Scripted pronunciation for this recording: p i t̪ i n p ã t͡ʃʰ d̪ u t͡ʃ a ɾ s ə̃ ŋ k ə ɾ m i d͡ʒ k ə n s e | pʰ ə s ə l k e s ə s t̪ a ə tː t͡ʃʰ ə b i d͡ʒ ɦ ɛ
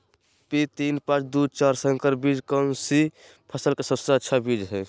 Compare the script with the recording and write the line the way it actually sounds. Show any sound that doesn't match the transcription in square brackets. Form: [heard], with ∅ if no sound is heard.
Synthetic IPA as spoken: p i t̪ i n p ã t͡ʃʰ d̪ u t͡ʃ a ɾ s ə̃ ŋ k ə ɾ [b] i d͡ʒ k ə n s [i] | pʰ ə s ə l k e s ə s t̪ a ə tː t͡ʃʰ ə b i d͡ʒ ɦ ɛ

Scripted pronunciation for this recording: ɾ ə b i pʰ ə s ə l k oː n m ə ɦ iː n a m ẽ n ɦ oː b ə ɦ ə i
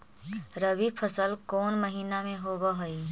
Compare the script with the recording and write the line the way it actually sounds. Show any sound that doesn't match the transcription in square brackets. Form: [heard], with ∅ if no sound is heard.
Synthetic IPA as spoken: ɾ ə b i pʰ ə s ə l k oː n m ə ɦ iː n a m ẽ [∅] ɦ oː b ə ɦ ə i

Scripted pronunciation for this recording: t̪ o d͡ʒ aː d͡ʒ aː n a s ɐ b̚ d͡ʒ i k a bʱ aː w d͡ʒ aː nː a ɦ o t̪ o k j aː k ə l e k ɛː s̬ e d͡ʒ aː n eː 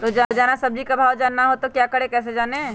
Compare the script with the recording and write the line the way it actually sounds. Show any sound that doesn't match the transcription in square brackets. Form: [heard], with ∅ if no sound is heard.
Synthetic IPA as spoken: t̪ o d͡ʒ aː d͡ʒ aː n a s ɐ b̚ d͡ʒ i k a bʱ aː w d͡ʒ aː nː a ɦ o t̪ o k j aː k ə [ɽ] e k ɛː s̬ e d͡ʒ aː n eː

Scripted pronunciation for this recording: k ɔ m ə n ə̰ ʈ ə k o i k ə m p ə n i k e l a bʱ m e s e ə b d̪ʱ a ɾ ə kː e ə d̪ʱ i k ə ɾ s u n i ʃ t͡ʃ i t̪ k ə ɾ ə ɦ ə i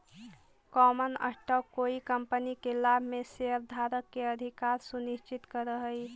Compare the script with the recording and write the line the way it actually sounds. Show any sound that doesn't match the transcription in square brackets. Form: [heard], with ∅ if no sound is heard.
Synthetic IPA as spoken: k ɔ m ə n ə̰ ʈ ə k o i k ə m p ə n i k e l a bʱ m e s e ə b d̪ʱ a ɾ ə kː e ə d̪ʱ i k [a] ɾ s u n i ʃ t͡ʃ i t̪ k ə ɾ ə ɦ ə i

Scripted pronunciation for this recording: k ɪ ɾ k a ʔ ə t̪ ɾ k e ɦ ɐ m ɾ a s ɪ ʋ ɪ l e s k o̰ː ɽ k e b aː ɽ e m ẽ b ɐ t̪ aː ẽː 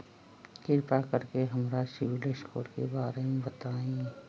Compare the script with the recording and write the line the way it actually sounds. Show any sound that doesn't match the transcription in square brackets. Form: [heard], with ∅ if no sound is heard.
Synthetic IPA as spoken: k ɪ ɾ [p] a [k] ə [∅] ɾ k e ɦ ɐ m ɾ a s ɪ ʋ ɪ l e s k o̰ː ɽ k e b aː [ɾ] e m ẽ b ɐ t̪ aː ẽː

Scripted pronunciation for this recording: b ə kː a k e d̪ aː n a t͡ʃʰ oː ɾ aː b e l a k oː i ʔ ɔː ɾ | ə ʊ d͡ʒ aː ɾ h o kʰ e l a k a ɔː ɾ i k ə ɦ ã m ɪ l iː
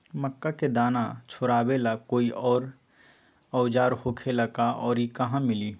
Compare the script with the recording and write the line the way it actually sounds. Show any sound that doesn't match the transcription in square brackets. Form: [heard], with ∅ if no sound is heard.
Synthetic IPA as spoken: [m] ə kː a k e d̪ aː n a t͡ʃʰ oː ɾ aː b e l a k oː i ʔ ɔː ɾ | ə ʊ d͡ʒ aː ɾ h o kʰ e l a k a ɔː ɾ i k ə ɦ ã m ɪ l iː

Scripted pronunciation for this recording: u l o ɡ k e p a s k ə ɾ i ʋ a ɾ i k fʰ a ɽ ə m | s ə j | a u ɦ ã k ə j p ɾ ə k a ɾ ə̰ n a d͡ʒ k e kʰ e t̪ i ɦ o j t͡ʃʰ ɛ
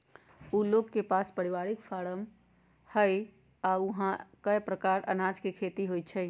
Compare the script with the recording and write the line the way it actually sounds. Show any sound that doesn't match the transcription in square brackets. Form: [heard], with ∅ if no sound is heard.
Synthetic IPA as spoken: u l o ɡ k e p a s [p] ə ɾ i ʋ a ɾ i k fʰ a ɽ ə m | [h] ə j | a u ɦ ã k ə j p ɾ ə k a ɾ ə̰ n a d͡ʒ k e kʰ e t̪ i ɦ o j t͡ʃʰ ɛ

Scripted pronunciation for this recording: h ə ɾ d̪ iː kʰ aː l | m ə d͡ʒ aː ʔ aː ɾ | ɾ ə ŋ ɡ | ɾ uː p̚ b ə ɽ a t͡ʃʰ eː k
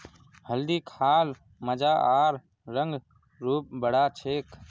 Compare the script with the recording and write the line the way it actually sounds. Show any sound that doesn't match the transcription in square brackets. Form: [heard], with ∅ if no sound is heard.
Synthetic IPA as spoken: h ə [l] d̪ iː kʰ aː l | m ə d͡ʒ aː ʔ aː ɾ | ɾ ə ŋ ɡ | ɾ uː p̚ b ə ɽ a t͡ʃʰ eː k

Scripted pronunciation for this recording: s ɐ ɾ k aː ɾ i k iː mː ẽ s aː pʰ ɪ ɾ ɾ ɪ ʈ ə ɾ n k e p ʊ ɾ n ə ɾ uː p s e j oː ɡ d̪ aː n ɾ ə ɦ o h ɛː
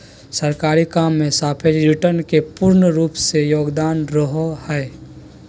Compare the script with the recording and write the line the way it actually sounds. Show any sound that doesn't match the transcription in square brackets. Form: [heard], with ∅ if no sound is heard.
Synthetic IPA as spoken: s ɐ ɾ k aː ɾ i k [aː] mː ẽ s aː pʰ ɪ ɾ ɾ ɪ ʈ ə ɾ n k e p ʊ ɾ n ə ɾ uː p s e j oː ɡ d̪ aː n ɾ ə ɦ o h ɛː

